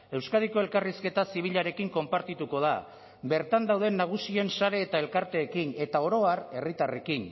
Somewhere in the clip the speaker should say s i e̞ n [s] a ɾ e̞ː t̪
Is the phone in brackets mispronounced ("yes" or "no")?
no